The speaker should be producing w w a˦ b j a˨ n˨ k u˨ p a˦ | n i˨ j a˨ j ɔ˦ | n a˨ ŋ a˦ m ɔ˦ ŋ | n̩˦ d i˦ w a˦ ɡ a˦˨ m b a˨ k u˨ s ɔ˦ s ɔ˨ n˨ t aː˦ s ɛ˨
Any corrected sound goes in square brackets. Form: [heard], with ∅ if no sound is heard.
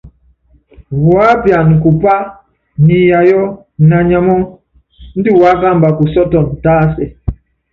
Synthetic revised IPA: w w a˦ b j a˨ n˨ k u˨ p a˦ | n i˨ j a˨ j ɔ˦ | n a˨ [ɲ] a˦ m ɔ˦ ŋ | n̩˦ d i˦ w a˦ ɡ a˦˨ m b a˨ k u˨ s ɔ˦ [t] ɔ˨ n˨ t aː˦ s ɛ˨